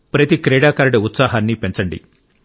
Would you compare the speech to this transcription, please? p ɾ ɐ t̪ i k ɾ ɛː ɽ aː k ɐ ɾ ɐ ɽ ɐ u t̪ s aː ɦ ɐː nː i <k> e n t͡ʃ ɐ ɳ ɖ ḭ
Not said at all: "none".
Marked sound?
p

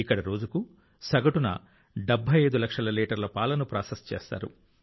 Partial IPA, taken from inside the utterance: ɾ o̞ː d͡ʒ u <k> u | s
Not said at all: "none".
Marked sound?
k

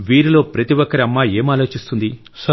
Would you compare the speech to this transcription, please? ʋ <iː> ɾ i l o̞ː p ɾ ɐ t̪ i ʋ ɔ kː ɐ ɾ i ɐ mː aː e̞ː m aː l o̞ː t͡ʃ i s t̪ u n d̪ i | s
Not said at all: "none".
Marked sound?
iː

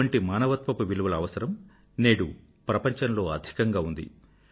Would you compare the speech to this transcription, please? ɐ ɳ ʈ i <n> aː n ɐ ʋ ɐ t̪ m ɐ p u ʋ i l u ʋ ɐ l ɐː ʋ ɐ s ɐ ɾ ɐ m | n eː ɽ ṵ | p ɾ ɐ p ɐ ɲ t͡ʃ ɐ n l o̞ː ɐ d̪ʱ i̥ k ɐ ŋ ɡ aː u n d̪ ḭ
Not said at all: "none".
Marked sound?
m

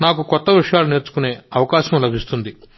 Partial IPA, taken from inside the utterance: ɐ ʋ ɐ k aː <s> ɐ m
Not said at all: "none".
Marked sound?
ʃ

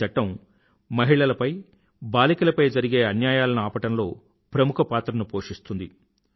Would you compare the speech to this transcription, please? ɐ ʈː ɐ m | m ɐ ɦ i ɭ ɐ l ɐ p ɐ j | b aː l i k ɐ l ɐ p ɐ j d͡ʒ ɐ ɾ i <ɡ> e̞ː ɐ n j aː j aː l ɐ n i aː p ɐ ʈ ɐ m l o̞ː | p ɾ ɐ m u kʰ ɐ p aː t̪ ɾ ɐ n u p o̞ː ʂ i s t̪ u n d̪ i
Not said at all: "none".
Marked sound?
ɡ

